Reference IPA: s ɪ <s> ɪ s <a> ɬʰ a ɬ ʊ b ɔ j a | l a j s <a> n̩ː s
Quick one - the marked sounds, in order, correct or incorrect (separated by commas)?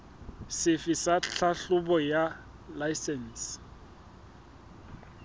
incorrect, correct, incorrect